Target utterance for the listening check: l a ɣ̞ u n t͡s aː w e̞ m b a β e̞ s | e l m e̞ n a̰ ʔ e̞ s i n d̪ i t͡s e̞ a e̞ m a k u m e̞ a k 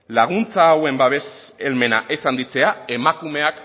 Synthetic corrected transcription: l a ɣ̞ u n t͡s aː w e̞ m b a β e̞ s | e l m e̞ n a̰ ʔ e̞ s a n d̪ i t͡s e̞ a e̞ m a k u m e̞ a k

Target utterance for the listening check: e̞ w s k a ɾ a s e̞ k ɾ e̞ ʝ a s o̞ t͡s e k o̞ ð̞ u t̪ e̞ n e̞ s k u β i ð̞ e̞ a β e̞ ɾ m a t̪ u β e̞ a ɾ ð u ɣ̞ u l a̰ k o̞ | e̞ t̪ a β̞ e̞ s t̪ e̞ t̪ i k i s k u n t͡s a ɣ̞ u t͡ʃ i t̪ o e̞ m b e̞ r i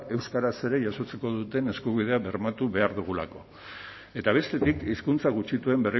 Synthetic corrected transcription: e̞ w s k a ɾ a s e̞ ɾ e̞ ʝ a s o̞ t͡s e k o̞ ð̞ u t̪ e̞ n e̞ s k u β i ð̞ e̞ a β e̞ ɾ m a t̪ u β e̞ a ɾ ð u ɣ̞ u l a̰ k o̞ | e̞ t̪ a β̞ e̞ s t̪ e̞ t̪ i k i s k u n t͡s a ɣ̞ u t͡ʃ i t̪ u e̞ m b e̞ r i

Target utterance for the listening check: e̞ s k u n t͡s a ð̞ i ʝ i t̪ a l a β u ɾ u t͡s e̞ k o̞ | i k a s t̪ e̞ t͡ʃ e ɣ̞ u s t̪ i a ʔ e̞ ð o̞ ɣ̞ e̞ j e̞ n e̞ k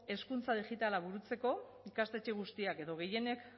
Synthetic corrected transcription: e̞ s k u n t͡s a ð̞ i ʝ i t̪ a l a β u ɾ u t͡s e̞ k o̞ | i k a s t̪ e̞ t͡ʃ e ɣ̞ u s t̪ i a k e̞ ð o̞ ɣ̞ e̞ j e̞ n e̞ k

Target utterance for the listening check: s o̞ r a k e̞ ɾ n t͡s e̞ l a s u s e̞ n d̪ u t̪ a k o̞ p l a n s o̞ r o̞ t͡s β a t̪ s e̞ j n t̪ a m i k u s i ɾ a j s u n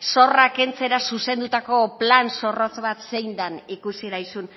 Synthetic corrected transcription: s o̞ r a k e̞ n t͡s e̞ ɾ a s u s e̞ n d̪ u t̪ a k o̞ p l a n s o̞ r o̞ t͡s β a t̪ s e̞ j n d̪ a n i k u s i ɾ a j s u n

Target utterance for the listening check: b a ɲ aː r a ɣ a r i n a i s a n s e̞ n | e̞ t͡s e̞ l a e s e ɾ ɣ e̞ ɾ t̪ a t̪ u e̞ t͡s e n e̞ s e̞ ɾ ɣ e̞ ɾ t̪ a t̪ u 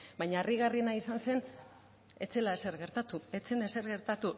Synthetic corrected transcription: b a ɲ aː r i ɣ a r i n a i s a n s e̞ n | e̞ t͡s e̞ l a e s e ɾ ɣ e̞ ɾ t̪ a t̪ u e̞ t͡s e n e̞ s e̞ ɾ ɣ e̞ ɾ t̪ a t̪ u

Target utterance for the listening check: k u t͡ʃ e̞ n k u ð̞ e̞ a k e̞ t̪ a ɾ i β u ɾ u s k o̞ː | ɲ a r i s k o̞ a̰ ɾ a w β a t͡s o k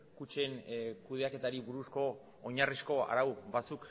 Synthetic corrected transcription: k u t͡ʃ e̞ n k u ð̞ e̞ a k e̞ t̪ a ɾ i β u ɾ u s k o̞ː | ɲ a r i s k o̞ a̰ ɾ a w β a t͡s u k

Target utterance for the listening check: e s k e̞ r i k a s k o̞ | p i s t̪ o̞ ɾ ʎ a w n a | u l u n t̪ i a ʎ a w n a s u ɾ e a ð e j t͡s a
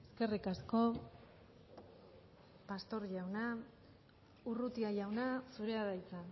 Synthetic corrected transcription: e s k e̞ r i k a s k o̞ | p a s t̪ o̞ ɾ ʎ a w n a | u r u t̪ i a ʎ a w n a s u ɾ e a ð a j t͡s a

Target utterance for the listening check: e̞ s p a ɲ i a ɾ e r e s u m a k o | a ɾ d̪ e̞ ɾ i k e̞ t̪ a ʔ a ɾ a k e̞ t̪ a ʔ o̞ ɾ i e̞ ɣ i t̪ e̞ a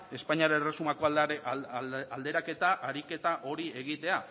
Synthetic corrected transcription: e̞ s p a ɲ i a ɾ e r e s u m a k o | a l d̪ e̞ ɾ a k e̞ t̪ a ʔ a ɾ i k e̞ t̪ a ʔ o̞ ɾ i e̞ ɣ i t̪ e̞ a

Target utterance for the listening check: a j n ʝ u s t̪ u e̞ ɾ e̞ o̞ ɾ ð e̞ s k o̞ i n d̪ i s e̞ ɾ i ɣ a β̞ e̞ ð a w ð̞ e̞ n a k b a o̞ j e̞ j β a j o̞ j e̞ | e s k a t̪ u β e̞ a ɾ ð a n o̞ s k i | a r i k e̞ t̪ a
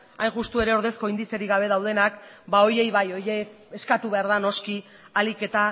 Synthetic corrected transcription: a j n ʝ u s t̪ u e̞ ɾ e̞ o̞ ɾ ð e̞ s k o̞ i n d̪ i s e̞ ɾ i ɣ a β̞ e̞ ð a w ð̞ e̞ n a k b a o̞ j e̞ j β a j o̞ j e̞ | e s k a t̪ u β e̞ a ɾ ð a n o̞ s k i | a l i k e̞ t̪ a

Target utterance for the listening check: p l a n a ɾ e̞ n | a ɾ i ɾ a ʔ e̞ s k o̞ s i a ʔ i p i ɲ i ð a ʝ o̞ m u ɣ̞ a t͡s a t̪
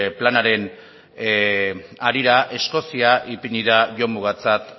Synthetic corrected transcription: p l a n a ɾ e̞ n | a ɾ i ɾ a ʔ e̞ s k o̞ s i a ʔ i p i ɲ i ð a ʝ o̞ m u ɣ̞ a t͡s a t̪

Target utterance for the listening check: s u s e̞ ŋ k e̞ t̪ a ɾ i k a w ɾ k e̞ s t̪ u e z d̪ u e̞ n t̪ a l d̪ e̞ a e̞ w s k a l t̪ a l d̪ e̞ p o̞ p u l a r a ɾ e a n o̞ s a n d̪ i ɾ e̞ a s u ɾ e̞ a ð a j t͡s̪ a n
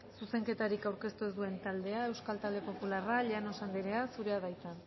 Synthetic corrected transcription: s u s e̞ ŋ k e̞ t̪ a ɾ i k a w ɾ k e̞ s t̪ u e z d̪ u e̞ n t̪ a l d̪ e̞ a e̞ w s k a l t̪ a l d̪ e̞ p o̞ p u l a r a ʎ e a n o̞ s a n d̪ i ɾ e̞ a s u ɾ e̞ a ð a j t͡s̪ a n

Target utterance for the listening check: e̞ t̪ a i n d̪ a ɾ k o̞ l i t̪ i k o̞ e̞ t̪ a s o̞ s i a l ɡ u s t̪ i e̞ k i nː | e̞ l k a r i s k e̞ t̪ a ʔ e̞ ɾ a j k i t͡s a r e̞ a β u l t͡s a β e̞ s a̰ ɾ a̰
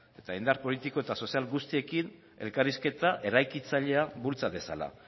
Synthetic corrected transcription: e̞ t̪ a i n d̪ a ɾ p o̞ l i t̪ i k o̞ e̞ t̪ a s o̞ s i a l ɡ u s t̪ i e̞ k i n | e̞ l k a r i s k e̞ t̪ a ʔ e̞ ɾ a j k i t͡s a ʎ e̞ a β u l t͡s a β e̞ s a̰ l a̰

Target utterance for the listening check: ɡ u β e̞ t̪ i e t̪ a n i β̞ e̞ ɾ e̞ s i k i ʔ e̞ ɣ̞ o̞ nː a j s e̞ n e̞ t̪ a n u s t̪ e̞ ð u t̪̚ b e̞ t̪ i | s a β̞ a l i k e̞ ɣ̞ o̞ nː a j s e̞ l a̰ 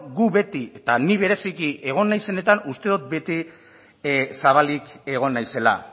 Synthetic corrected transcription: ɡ u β e̞ t̪ i e t̪ a n i β̞ e̞ ɾ e̞ s i k i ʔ e̞ ɣ̞ o̞ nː a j s e̞ n e̞ t̪ a n u s t̪ e̞ ð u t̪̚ b e̞ t̪ i | s a β̞ a l i k e̞ ɣ̞ o̞ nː a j s e̞ l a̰

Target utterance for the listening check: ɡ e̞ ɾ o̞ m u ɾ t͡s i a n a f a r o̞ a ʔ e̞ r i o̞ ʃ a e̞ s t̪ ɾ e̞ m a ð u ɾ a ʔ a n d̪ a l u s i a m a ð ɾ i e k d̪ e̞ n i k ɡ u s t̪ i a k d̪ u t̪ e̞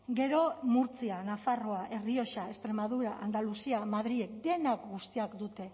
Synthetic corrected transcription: ɡ e̞ ɾ o̞ m u ɾ t͡s i a n a f a r o̞ a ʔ e̞ r i o̞ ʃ a e̞ s t̪ ɾ e̞ m a ð u ɾ a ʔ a n d̪ a l u s i a m a ð ɾ i e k d̪ e̞ n a k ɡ u s t̪ i a k d̪ u t̪ e̞

